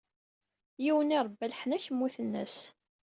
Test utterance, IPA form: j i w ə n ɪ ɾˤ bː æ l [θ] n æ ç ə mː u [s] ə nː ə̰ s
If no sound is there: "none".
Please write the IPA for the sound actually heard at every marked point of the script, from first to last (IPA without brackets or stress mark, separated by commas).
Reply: ħ, θ